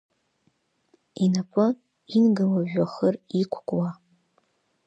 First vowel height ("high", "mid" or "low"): high